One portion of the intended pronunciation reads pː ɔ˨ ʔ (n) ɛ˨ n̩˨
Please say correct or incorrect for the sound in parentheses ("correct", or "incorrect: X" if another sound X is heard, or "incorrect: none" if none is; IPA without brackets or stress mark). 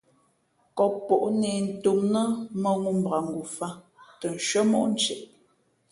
correct